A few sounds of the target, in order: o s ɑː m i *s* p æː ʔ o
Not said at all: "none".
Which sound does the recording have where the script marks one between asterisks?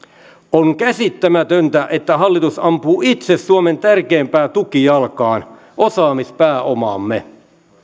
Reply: s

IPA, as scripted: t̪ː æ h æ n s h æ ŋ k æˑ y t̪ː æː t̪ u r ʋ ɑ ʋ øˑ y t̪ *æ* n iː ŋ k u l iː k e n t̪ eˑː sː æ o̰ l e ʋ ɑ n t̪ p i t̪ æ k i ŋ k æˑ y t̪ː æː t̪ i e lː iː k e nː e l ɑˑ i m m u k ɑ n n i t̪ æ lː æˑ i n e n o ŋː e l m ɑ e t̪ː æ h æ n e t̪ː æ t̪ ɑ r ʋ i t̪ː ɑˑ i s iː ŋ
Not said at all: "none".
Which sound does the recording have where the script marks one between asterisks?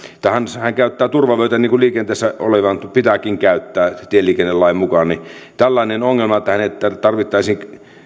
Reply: æ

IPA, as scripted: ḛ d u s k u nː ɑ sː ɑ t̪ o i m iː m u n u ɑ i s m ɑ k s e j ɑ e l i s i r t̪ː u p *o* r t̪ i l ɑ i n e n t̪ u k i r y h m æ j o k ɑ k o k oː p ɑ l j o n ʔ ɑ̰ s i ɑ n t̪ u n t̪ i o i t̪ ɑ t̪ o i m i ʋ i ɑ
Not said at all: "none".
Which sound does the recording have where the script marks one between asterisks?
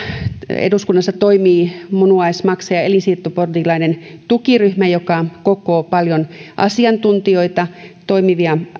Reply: o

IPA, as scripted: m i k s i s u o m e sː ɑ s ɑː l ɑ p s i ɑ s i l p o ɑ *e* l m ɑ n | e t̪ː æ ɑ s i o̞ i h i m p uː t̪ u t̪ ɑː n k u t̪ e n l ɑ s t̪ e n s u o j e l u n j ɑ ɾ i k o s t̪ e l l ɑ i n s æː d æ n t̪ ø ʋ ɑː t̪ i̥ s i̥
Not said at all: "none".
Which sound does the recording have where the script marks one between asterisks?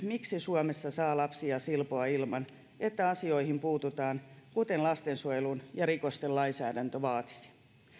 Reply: i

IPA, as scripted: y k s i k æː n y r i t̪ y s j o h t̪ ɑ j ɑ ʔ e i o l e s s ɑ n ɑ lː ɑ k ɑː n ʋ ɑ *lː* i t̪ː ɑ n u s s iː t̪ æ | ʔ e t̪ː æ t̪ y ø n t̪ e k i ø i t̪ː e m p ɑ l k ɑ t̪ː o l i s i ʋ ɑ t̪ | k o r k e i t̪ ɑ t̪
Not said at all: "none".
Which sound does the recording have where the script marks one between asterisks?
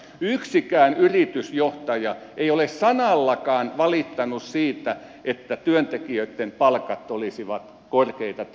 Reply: l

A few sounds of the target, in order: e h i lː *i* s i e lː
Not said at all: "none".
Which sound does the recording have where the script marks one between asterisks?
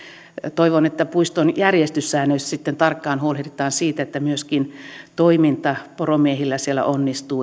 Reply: æ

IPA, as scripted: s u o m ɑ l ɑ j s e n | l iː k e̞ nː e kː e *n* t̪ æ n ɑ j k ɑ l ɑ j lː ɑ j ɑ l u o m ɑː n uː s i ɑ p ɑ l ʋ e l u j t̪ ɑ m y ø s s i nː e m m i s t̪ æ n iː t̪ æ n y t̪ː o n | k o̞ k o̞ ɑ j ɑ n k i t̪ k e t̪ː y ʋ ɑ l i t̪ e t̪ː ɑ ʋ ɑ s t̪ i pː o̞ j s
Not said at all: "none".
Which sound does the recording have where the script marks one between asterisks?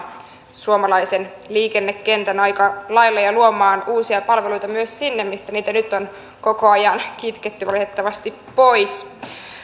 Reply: n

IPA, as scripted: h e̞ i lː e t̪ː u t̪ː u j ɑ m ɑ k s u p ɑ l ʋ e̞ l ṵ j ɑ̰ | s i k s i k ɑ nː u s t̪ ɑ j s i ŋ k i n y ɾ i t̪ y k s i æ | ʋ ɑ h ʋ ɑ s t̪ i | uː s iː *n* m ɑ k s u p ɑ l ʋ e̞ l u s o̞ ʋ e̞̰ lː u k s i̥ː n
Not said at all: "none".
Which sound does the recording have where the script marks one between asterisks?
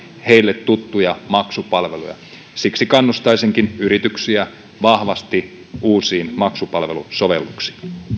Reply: n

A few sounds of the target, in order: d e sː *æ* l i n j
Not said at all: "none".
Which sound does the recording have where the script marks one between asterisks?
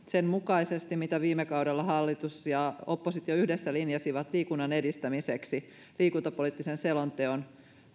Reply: æ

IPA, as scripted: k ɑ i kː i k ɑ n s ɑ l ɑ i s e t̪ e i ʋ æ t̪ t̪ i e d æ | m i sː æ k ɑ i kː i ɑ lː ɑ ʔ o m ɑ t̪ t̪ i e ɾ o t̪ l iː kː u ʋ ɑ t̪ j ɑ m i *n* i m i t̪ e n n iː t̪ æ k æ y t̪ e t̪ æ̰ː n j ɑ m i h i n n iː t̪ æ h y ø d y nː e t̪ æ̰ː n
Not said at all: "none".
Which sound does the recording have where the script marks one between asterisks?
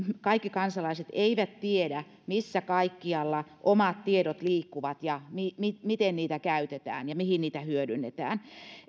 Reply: m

